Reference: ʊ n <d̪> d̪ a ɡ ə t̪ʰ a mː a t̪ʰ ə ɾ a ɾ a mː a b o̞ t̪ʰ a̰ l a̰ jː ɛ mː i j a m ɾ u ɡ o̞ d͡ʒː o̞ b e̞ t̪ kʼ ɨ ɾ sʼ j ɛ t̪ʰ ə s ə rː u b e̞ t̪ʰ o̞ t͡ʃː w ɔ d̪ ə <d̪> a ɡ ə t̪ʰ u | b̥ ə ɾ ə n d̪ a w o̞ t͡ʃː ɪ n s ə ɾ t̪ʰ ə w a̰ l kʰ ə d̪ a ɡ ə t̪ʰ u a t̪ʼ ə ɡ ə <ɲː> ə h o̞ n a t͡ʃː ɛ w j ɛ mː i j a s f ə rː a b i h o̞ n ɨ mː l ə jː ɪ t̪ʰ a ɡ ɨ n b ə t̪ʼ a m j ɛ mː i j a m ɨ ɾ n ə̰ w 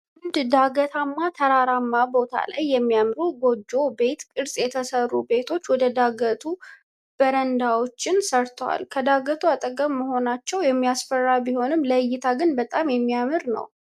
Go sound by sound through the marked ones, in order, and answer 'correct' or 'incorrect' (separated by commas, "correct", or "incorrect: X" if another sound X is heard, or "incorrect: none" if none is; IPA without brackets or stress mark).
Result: correct, correct, incorrect: mː